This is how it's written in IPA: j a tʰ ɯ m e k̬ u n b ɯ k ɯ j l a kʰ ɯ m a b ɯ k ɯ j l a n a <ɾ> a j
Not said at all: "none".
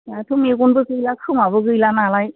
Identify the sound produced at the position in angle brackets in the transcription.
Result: l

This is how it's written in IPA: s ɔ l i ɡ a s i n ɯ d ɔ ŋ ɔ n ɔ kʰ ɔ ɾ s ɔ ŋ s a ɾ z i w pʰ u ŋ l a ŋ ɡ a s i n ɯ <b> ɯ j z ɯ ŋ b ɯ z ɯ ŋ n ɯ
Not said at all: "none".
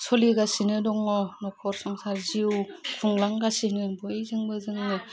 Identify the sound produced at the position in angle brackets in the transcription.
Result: b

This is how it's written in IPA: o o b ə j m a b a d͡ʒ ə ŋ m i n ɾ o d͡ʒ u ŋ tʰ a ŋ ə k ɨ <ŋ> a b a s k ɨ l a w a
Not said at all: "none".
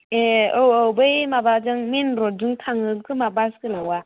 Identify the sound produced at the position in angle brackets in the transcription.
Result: m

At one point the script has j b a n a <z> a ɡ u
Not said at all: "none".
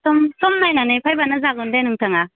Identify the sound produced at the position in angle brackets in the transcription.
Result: z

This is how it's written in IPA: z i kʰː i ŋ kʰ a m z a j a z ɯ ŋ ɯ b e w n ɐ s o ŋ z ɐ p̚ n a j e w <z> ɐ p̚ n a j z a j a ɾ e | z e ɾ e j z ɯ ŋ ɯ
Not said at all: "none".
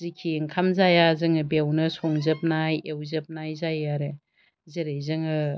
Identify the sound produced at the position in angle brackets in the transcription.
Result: z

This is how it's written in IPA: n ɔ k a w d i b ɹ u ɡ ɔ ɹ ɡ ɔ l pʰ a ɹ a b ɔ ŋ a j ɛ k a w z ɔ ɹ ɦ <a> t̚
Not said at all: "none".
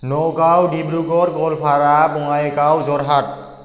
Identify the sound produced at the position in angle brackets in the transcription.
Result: a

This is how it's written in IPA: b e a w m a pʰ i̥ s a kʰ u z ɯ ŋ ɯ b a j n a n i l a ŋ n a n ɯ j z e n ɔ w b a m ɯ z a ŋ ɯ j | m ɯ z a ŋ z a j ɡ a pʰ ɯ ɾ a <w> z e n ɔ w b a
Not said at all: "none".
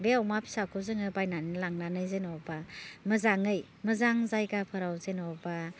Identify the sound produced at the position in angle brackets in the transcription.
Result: w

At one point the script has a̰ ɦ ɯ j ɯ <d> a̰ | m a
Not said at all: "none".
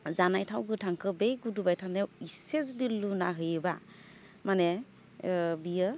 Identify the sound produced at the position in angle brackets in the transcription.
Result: b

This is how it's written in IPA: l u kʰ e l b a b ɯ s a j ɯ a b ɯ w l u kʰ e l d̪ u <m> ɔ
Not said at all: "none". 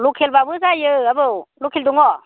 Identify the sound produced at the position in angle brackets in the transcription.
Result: ŋ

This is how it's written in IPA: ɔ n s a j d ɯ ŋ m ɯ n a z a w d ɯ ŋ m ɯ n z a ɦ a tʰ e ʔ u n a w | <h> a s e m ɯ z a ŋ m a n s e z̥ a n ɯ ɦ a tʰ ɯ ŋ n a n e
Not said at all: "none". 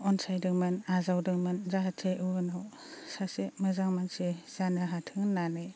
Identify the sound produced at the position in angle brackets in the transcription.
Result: s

